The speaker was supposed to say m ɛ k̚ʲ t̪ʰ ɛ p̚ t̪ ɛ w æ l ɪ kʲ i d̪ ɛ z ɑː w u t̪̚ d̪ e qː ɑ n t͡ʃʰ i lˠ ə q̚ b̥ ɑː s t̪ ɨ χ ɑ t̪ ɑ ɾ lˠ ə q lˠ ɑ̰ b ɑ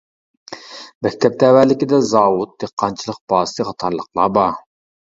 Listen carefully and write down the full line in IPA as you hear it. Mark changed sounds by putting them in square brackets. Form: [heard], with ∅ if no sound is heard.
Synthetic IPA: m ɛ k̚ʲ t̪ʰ ɛ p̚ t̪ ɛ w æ l ɪ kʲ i d̪ ɛ z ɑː w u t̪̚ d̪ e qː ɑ n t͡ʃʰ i lˠ ə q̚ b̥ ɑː s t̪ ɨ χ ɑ [t̪ʰ] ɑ ɾ lˠ ə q lˠ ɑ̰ b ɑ